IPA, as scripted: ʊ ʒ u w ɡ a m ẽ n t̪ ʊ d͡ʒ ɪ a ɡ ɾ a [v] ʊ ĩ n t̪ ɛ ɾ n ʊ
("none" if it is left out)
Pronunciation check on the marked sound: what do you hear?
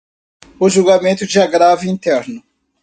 v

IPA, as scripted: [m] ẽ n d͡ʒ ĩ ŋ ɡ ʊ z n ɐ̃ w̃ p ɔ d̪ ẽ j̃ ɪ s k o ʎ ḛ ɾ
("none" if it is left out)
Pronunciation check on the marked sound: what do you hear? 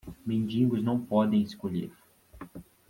m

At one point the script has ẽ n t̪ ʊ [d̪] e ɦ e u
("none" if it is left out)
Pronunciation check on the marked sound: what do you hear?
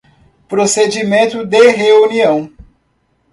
d̪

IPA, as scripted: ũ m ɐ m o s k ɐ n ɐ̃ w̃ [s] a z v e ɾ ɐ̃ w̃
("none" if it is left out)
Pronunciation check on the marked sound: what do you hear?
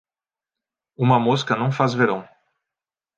f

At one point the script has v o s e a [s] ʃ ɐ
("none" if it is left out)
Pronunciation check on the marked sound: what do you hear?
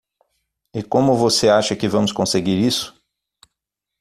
none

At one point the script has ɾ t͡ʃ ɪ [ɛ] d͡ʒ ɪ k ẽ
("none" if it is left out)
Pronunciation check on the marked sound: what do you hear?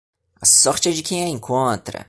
ɛ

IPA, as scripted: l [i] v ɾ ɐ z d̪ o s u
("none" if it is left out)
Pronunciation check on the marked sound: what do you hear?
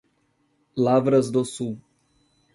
a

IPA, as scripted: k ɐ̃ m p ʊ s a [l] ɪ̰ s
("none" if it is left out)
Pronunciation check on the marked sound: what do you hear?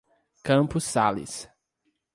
l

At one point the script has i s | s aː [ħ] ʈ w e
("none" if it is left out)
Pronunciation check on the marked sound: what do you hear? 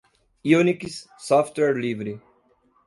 f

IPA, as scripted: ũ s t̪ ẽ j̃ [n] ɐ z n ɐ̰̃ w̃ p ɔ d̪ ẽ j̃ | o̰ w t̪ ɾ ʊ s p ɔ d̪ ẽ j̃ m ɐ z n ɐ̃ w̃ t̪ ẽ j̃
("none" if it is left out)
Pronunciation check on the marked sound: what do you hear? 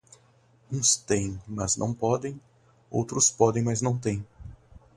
m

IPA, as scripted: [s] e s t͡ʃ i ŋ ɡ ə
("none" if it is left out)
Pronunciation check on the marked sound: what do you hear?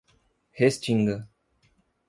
h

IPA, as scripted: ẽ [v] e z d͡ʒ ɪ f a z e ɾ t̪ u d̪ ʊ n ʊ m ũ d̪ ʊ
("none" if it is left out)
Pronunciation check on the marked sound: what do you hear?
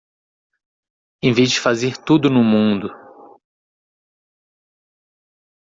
v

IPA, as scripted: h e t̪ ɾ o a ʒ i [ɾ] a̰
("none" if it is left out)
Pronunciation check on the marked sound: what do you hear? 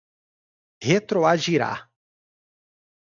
ɾ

